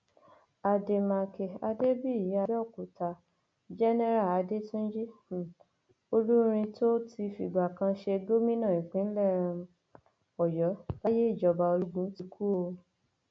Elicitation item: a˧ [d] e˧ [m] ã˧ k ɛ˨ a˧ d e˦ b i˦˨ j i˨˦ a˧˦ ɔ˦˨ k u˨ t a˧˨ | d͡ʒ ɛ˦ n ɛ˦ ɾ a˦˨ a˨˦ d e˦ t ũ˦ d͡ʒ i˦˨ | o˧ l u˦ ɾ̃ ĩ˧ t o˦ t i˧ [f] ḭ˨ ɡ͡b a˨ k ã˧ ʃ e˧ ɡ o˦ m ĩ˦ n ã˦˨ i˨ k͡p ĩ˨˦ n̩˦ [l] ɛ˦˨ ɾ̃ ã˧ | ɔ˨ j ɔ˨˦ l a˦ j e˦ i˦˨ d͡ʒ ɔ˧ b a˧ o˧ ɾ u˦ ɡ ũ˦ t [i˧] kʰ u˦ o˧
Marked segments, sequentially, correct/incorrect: correct, correct, correct, correct, correct

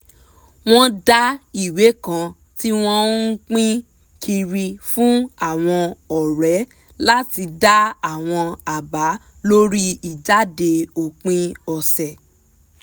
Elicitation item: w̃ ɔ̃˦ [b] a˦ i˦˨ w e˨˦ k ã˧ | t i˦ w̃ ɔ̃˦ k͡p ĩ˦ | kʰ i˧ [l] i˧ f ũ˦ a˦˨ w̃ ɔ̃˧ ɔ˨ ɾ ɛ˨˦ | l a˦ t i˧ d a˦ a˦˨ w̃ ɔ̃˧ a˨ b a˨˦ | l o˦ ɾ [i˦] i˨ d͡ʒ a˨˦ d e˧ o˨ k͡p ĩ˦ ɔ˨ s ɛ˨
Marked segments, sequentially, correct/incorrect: incorrect, incorrect, correct

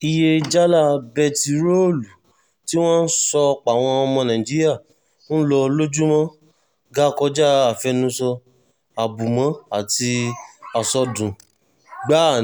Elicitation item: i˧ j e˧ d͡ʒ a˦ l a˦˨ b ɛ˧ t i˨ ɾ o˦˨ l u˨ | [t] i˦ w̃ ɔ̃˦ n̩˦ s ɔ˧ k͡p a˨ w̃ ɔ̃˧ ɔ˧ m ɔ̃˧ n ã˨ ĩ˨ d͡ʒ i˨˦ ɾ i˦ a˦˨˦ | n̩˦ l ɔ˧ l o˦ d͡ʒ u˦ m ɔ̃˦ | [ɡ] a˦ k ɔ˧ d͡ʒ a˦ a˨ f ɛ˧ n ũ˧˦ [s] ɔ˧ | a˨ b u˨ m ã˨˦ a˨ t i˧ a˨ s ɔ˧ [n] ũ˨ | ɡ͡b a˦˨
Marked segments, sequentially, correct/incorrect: correct, correct, correct, incorrect

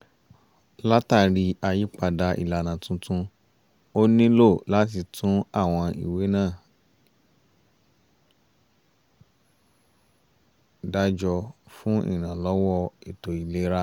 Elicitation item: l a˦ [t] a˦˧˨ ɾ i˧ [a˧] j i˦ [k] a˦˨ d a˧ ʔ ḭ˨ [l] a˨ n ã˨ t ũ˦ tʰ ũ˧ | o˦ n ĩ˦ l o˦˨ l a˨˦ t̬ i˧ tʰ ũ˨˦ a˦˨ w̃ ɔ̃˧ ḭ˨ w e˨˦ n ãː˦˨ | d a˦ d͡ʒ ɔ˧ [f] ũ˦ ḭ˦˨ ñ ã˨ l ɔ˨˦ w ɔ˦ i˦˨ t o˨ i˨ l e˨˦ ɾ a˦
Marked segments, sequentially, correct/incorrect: correct, correct, incorrect, correct, correct

